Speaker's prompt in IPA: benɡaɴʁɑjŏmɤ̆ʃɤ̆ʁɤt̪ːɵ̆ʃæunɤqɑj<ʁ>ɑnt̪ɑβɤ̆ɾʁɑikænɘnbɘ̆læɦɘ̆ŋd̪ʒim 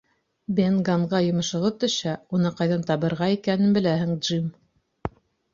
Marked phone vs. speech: incorrect: ð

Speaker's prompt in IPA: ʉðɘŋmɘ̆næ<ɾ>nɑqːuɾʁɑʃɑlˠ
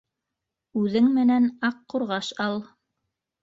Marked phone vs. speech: incorrect: none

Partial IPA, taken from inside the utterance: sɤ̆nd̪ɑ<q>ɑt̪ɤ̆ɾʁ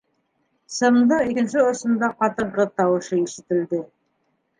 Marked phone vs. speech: correct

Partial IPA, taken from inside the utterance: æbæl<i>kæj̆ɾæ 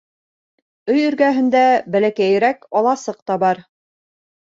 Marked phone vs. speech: incorrect: æ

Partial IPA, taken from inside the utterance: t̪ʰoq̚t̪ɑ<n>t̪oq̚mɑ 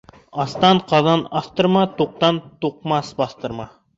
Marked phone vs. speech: correct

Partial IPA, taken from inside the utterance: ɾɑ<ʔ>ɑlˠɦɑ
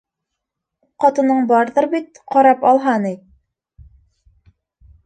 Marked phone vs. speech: incorrect: p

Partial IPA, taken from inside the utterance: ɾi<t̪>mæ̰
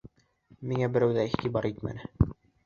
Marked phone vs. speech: correct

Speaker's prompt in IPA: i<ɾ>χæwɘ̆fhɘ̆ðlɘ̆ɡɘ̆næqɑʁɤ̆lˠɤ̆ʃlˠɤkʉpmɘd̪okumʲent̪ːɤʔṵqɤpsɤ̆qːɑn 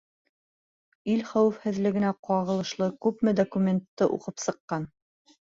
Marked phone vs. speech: incorrect: l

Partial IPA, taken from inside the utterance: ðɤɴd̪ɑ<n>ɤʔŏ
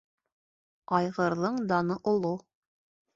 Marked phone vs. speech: correct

